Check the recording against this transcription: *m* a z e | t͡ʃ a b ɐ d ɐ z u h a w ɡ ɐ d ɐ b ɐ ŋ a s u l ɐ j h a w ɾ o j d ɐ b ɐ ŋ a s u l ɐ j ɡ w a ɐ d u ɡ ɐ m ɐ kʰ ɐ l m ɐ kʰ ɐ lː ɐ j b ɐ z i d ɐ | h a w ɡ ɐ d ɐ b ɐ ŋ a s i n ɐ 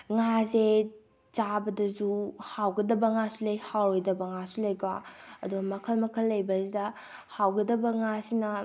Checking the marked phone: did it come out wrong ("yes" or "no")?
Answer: yes